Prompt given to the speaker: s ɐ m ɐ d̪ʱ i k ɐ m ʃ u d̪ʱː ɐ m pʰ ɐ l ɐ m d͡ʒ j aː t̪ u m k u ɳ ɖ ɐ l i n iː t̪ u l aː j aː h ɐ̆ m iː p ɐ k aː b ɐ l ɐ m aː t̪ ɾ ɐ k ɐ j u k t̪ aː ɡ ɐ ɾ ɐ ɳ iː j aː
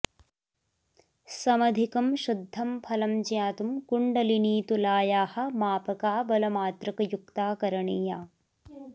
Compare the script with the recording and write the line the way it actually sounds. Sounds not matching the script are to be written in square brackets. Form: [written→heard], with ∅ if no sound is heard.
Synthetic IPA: s ɐ m ɐ d̪ʱ i k ɐ m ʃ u d̪ʱː ɐ m pʰ ɐ l ɐ m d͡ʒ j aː t̪ u m k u ɳ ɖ ɐ l i n iː t̪ u l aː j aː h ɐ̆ m [iː→aː] p ɐ k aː b ɐ l ɐ m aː t̪ ɾ ɐ k ɐ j u k t̪ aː [ɡ→k] ɐ ɾ ɐ ɳ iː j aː